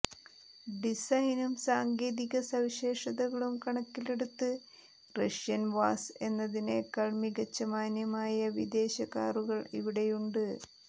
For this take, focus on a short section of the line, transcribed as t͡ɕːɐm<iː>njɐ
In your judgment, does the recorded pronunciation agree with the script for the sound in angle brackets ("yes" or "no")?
no